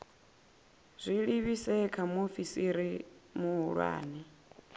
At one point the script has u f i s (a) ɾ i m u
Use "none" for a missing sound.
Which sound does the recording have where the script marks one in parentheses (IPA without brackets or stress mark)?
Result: i